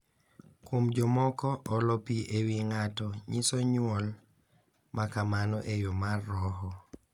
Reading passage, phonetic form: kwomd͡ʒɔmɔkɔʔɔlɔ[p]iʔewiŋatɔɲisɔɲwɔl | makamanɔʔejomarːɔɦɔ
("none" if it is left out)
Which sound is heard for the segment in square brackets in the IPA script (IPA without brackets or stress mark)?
p